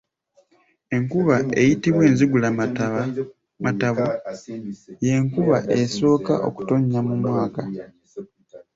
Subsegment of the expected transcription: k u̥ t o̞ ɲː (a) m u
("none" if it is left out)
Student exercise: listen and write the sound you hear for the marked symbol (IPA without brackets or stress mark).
a